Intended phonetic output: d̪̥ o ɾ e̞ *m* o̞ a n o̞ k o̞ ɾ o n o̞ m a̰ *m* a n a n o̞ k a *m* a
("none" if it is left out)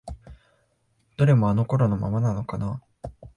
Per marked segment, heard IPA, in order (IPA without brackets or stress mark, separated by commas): m, m, n